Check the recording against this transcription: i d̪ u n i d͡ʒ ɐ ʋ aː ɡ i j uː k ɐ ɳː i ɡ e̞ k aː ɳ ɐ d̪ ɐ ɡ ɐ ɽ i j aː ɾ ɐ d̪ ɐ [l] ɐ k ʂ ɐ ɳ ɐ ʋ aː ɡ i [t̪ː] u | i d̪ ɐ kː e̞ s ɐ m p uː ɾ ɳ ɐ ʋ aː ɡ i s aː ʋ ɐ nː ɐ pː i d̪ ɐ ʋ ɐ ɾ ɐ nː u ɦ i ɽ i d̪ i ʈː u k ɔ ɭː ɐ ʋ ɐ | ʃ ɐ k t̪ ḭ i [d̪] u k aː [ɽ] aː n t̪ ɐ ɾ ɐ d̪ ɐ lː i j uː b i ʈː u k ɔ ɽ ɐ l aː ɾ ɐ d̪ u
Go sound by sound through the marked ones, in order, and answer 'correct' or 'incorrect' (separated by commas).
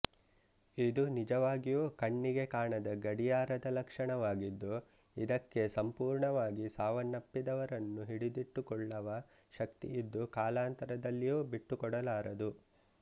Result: correct, incorrect, incorrect, incorrect